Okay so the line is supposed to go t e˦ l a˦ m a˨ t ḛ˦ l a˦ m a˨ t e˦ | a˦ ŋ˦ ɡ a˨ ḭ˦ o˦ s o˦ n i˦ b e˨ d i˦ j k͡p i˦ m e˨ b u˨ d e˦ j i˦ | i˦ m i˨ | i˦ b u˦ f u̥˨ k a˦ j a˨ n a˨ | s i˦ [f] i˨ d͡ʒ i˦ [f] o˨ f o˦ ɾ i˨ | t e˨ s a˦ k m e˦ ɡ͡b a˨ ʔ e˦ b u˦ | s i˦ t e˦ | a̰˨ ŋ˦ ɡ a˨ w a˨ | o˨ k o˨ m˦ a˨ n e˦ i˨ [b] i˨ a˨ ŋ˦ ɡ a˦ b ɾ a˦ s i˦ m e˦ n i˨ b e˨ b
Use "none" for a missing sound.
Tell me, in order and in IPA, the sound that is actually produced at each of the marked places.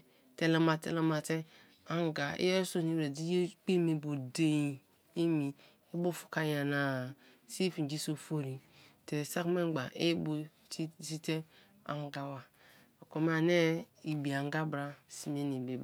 f, s, b

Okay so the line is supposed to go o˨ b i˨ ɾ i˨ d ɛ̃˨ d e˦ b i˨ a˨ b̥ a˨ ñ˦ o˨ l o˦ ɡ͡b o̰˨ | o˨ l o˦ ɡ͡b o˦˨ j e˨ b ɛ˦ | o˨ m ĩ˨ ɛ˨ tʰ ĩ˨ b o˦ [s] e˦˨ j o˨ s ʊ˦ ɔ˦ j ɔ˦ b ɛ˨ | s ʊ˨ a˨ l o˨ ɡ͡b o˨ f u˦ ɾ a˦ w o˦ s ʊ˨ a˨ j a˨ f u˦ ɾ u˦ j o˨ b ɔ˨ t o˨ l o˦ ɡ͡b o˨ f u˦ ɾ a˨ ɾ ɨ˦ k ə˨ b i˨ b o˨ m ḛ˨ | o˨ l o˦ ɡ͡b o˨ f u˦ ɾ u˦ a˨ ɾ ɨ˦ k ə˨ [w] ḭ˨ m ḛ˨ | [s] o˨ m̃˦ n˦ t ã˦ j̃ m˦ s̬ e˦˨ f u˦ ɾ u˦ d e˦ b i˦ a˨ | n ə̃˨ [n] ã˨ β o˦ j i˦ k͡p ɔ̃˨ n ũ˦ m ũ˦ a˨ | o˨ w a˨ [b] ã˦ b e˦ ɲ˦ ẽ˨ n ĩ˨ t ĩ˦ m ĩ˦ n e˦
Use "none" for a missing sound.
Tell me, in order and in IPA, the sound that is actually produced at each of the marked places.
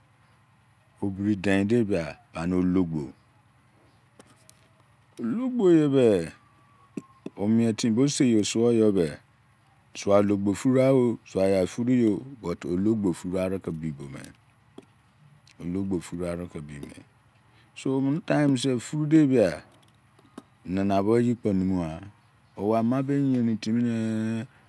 s, b, s, n, m

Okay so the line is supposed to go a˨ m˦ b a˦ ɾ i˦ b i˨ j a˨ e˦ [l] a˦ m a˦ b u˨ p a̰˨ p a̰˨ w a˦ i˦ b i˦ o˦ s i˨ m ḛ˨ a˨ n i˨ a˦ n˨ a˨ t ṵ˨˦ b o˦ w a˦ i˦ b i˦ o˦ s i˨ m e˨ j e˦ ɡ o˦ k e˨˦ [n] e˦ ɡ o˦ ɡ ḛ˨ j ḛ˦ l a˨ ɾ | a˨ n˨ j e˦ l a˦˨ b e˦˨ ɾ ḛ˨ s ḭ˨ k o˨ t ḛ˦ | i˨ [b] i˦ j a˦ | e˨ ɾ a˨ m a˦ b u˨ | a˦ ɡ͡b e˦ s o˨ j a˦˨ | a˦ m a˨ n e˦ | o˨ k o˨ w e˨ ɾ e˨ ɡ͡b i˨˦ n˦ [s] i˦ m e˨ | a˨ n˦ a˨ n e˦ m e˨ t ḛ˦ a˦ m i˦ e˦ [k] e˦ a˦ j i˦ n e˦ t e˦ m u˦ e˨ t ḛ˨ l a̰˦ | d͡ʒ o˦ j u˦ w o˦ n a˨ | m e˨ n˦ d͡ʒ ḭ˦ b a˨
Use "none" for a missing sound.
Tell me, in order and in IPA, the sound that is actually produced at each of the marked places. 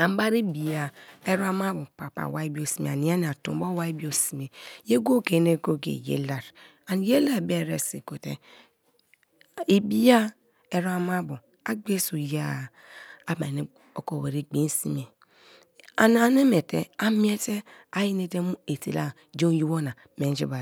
ɾ, n, b, s, t

